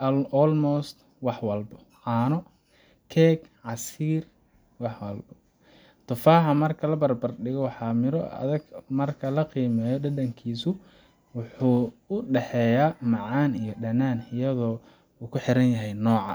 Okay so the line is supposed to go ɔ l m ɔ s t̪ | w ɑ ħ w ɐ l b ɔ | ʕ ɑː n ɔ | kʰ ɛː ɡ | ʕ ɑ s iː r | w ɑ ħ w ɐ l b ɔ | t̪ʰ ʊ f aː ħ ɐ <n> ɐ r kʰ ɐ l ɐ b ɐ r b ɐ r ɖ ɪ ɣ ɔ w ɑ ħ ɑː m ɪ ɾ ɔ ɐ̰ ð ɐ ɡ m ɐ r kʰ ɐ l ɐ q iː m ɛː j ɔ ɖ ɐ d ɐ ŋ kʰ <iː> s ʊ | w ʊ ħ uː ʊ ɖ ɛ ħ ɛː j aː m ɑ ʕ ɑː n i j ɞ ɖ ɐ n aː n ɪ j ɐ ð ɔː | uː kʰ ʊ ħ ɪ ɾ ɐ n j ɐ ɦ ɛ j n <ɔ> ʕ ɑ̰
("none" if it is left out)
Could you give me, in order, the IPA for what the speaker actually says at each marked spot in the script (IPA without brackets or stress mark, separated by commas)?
m, iː, ɔː